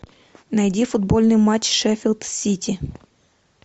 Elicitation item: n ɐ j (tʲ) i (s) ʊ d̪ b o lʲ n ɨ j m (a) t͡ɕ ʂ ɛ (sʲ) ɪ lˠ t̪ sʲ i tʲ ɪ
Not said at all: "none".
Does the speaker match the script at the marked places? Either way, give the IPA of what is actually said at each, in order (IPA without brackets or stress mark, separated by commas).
dʲ, f, a, fʲ